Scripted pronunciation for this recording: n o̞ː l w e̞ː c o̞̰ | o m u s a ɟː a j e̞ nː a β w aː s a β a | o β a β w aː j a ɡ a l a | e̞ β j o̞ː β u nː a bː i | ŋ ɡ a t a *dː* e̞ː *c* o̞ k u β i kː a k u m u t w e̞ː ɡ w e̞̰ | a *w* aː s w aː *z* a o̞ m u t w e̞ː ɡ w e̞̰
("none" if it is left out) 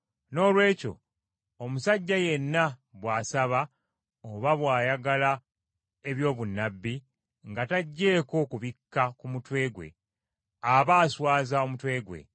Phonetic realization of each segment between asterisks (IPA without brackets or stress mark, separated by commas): ɟː, k, β, z